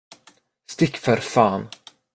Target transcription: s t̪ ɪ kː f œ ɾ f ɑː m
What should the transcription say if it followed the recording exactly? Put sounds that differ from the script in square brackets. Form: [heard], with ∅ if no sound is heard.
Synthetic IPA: s t̪ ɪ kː f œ ɾ f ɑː [n]